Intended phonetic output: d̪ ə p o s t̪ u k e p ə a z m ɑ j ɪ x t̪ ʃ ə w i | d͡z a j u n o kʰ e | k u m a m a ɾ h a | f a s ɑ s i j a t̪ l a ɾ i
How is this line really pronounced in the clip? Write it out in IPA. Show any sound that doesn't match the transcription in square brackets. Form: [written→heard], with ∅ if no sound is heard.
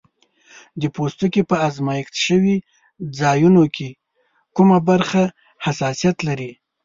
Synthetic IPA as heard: d̪ ə p o s t̪ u k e p ə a z m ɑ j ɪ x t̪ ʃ ə w i | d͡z [a→ɑ] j u n o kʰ e | k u m a [m→b] a ɾ [h→x] a | [f→h] a s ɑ s i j a t̪ l a ɾ i